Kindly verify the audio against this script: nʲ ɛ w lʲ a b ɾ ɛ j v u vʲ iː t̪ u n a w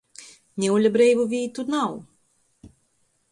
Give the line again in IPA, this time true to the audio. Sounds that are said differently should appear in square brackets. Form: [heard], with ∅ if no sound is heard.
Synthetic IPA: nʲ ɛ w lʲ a b ɾ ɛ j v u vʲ iː t̪ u n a w